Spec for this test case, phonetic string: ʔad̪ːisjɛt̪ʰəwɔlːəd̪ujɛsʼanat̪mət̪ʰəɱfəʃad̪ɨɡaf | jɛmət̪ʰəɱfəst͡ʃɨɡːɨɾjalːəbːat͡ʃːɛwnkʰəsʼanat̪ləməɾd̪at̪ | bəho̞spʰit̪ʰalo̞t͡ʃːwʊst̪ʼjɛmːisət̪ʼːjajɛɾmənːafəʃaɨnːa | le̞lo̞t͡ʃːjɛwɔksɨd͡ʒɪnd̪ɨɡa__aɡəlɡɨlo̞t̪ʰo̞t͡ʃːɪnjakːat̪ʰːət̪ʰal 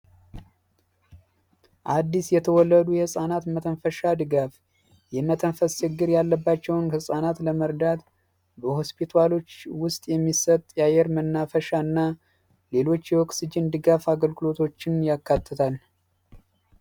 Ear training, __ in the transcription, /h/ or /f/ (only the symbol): f